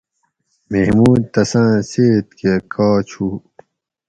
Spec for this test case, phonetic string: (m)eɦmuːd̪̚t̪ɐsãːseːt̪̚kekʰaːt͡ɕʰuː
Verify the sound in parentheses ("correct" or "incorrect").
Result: correct